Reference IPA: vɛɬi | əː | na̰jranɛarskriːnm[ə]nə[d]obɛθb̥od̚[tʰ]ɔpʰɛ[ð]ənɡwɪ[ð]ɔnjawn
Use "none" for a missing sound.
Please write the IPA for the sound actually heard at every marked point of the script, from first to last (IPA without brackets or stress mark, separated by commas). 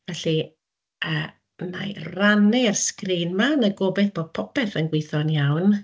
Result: a, ɡ, pʰ, θ, θ